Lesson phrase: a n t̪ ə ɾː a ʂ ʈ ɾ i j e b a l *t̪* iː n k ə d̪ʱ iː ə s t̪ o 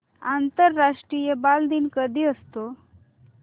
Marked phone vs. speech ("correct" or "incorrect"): incorrect